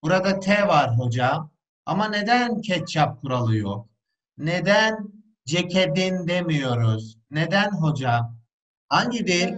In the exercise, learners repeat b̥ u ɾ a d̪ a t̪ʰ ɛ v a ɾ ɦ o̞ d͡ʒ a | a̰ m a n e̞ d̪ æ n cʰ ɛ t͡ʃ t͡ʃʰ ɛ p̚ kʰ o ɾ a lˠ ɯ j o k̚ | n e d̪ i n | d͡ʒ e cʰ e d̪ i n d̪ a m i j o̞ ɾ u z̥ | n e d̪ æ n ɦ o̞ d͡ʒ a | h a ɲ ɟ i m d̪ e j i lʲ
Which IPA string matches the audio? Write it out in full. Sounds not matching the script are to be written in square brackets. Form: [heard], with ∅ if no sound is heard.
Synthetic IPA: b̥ u ɾ a d̪ a t̪ʰ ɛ v a ɾ ɦ o̞ d͡ʒ a | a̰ m a n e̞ d̪ æ n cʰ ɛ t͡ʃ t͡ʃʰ [a] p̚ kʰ [u] ɾ a lˠ ɯ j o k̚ | n e d̪ [æ] n | d͡ʒ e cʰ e d̪ i n d̪ [e] m i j o̞ ɾ u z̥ | n e d̪ æ n ɦ o̞ d͡ʒ a | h a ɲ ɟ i [∅] d̪ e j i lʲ